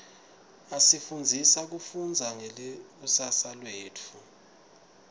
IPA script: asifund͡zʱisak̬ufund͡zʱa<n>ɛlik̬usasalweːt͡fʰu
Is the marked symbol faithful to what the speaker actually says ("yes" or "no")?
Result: no